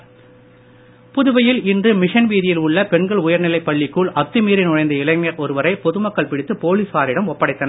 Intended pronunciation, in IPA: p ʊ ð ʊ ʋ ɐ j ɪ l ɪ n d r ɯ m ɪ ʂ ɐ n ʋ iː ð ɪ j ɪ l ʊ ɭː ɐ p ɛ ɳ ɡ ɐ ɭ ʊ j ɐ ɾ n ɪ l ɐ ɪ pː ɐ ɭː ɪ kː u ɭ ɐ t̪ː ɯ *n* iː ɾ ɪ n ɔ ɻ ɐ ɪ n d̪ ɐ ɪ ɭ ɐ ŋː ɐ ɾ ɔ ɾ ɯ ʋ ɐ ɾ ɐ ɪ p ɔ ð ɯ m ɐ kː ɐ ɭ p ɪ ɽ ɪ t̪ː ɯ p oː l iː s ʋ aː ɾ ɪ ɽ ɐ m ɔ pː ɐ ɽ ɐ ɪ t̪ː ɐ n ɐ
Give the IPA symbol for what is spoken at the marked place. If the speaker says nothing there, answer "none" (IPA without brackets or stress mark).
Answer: m